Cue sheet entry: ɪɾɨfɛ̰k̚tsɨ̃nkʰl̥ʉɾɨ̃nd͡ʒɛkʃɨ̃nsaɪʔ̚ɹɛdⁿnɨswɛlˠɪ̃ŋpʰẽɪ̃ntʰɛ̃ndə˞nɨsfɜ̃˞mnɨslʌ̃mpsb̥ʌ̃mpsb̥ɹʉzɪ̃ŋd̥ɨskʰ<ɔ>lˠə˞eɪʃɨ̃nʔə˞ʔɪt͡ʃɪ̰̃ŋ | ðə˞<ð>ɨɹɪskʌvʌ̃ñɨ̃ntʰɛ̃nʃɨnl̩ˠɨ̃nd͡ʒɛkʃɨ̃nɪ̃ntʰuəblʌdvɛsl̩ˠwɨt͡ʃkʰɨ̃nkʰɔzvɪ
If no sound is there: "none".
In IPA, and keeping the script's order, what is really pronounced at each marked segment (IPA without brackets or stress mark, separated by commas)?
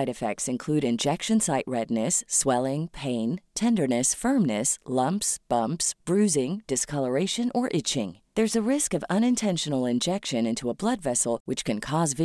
ʌ, z